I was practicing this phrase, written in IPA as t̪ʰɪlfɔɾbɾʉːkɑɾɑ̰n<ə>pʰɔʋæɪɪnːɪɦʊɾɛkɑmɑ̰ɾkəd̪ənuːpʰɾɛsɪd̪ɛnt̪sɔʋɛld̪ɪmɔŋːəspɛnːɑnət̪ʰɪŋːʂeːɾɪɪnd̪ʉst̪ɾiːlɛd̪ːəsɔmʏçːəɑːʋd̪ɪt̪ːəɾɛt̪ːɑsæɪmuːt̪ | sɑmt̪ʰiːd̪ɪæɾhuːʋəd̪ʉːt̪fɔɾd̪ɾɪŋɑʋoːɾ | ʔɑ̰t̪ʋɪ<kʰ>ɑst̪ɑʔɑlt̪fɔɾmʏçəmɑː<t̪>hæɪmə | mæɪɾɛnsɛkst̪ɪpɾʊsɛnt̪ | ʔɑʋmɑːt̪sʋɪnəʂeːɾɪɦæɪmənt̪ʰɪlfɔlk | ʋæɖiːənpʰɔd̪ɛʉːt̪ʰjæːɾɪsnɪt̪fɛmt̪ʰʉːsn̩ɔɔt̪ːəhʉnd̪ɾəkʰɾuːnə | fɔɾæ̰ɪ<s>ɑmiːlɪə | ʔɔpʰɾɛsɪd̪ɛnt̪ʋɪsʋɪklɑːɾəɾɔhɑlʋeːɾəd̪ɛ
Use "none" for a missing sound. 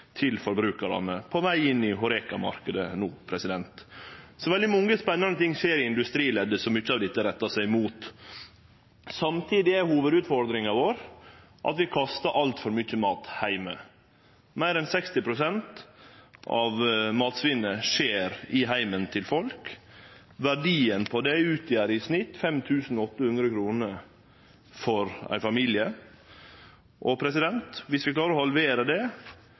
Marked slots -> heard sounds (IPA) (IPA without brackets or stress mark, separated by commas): ə, kʰ, t̪, f